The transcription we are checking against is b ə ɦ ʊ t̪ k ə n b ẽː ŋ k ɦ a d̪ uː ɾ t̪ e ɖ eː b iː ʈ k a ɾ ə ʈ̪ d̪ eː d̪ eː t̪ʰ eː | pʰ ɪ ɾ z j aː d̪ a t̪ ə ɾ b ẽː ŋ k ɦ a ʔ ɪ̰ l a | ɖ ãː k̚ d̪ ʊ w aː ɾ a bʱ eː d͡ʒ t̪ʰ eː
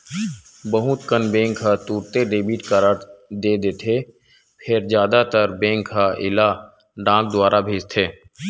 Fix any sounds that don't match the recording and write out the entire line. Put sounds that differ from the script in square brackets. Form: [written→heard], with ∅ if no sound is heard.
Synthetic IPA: b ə ɦ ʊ t̪ k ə n b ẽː ŋ k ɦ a [d̪→t̪] uː ɾ t̪ e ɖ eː b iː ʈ k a ɾ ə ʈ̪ d̪ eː d̪ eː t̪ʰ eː | pʰ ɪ ɾ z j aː d̪ a t̪ ə ɾ b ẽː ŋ k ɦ a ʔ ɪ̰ l a | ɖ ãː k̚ d̪ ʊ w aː ɾ a bʱ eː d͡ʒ t̪ʰ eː